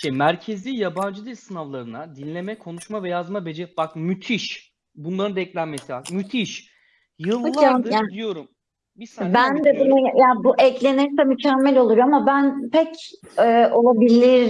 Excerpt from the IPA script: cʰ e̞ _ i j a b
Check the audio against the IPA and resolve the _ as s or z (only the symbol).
z